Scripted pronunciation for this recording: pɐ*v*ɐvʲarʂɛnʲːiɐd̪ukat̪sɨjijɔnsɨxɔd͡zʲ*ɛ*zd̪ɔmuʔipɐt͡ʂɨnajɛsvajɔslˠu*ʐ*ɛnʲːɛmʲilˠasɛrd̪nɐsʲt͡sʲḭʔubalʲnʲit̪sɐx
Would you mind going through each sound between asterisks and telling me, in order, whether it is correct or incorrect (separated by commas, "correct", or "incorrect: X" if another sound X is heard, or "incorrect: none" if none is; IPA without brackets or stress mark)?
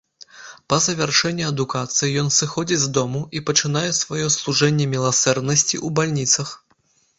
incorrect: z, incorrect: i, correct